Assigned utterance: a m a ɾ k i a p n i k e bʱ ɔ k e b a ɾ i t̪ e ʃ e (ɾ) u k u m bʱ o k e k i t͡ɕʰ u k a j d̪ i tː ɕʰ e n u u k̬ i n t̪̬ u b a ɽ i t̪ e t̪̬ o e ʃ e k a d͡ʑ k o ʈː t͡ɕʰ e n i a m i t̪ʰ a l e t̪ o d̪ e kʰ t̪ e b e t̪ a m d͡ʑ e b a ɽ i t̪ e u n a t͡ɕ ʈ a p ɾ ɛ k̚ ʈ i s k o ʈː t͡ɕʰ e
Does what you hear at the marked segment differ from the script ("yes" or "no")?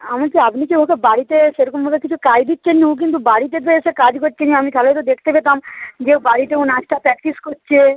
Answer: no